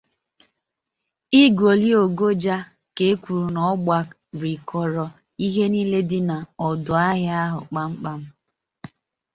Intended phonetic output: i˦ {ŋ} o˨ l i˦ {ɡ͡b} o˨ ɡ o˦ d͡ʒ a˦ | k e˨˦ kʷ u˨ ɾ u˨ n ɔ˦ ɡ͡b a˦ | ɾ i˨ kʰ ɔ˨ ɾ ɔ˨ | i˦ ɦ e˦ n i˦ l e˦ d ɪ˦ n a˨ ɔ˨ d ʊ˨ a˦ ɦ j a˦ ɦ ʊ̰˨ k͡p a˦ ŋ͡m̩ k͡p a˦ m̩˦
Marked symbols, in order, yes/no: no, no

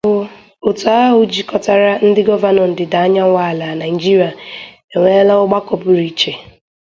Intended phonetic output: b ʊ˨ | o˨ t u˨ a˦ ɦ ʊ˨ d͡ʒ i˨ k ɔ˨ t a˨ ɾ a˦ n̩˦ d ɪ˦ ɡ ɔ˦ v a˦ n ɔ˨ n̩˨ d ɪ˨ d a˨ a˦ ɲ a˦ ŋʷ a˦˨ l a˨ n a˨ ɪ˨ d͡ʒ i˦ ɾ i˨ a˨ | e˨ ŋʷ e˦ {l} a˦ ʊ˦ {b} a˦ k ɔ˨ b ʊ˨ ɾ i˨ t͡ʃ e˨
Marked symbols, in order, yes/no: yes, no

